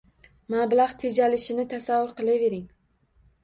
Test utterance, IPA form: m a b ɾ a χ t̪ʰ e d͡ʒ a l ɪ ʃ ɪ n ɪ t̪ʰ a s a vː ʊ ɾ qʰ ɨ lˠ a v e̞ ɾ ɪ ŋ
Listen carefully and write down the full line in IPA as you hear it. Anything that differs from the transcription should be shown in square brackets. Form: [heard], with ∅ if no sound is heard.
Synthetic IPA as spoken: m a b [l] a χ t̪ʰ e d͡ʒ a l ɪ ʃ ɪ n ɪ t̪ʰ a s a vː ʊ ɾ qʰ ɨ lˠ a v e̞ ɾ ɪ ŋ